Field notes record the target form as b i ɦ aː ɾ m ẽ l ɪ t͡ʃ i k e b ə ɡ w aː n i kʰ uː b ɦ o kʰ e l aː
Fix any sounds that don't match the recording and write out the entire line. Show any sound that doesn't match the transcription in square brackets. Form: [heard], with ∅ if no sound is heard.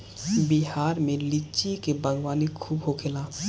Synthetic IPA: b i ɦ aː ɾ m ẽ l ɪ t͡ʃ i k e b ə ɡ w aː n i kʰ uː b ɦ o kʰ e l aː

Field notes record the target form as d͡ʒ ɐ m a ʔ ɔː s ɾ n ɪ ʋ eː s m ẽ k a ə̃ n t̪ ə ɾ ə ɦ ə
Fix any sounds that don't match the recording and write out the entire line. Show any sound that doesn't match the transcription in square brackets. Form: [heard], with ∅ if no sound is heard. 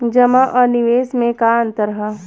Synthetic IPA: d͡ʒ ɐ m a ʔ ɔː [∅] ɾ n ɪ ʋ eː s m ẽ k a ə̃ n t̪ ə ɾ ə ɦ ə

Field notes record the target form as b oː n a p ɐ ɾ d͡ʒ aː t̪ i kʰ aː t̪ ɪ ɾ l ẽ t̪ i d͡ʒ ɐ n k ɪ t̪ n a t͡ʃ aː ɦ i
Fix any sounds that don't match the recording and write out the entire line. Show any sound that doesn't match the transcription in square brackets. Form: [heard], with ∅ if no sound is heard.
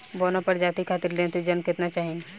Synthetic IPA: b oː n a p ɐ ɾ d͡ʒ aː t̪ i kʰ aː t̪ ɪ ɾ l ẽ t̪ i d͡ʒ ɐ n k ɪ t̪ n a t͡ʃ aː ɦ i

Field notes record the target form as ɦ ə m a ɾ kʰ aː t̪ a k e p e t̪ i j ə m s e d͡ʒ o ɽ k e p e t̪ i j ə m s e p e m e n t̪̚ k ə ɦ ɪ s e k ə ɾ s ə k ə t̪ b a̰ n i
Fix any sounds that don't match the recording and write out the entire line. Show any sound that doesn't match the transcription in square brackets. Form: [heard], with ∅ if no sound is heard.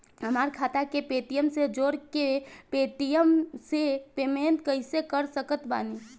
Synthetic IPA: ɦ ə m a ɾ kʰ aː t̪ a k e p e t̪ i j ə m s e d͡ʒ o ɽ k e p e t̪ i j ə m s e p e m e n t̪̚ k ə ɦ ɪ s e k ə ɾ s ə k ə t̪ b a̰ n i

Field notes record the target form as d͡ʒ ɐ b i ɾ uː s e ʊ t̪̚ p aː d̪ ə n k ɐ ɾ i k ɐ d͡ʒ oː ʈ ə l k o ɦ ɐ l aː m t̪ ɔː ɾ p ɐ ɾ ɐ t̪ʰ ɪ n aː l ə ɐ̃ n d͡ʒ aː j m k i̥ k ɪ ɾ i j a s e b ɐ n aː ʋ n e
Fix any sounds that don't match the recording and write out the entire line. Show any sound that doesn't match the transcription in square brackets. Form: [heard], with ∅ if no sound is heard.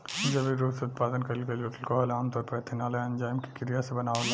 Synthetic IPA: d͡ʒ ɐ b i ɾ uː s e ʊ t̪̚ p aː d̪ ə n k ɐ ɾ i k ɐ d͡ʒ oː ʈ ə l k o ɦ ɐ l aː m t̪ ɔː ɾ p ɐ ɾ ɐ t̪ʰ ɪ n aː l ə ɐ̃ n d͡ʒ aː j m k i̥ k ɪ ɾ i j a s e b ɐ n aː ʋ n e

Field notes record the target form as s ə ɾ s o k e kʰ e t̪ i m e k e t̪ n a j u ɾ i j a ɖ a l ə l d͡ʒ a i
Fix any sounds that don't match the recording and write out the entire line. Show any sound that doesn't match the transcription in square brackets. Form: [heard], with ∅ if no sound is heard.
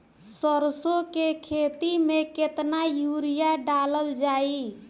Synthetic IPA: s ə ɾ s o k e kʰ e t̪ i m e k e t̪ n a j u ɾ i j a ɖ a l ə l d͡ʒ a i

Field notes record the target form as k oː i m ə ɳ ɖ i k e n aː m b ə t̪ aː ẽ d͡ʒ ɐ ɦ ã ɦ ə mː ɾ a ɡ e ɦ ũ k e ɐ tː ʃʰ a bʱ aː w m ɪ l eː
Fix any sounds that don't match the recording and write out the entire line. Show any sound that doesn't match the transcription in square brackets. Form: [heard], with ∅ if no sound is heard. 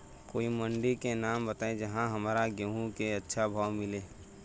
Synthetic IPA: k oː i m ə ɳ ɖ i k e n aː m b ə t̪ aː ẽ d͡ʒ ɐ ɦ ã ɦ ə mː ɾ a ɡ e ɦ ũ k e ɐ tː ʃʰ a bʱ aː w m ɪ l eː

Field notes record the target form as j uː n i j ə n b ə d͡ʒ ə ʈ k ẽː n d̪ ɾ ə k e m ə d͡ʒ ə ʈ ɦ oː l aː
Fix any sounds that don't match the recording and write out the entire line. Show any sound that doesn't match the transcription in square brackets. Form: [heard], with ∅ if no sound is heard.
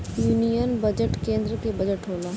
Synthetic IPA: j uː n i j ə n b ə d͡ʒ ə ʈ k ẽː n d̪ ɾ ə k e [b] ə d͡ʒ ə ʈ ɦ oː l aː

